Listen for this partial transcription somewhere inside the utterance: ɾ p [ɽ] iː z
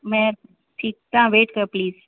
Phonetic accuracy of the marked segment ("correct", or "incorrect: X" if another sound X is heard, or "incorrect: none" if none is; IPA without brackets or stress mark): incorrect: l